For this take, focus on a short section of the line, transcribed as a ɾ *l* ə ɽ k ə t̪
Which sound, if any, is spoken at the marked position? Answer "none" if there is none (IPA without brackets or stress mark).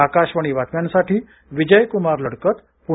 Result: l